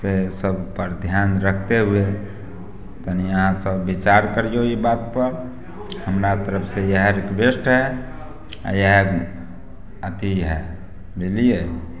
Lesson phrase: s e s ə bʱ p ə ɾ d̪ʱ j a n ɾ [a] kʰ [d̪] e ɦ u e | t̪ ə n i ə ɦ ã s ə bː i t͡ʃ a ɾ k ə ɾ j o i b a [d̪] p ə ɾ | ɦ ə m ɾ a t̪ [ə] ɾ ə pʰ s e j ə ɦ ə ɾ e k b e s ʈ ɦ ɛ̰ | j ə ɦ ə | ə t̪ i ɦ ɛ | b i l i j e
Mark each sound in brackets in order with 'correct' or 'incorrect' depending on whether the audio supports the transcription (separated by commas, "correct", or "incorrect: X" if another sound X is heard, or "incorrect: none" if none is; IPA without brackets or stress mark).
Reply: incorrect: ə, incorrect: t̪, incorrect: t̪, correct